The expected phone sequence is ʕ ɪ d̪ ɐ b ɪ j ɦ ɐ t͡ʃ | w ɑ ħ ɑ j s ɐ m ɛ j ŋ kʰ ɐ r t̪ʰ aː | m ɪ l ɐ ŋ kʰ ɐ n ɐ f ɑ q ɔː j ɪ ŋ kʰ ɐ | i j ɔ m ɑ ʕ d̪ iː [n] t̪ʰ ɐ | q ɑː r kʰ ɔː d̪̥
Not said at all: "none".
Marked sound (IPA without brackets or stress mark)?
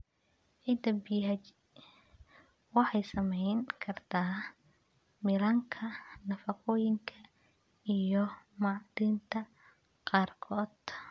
n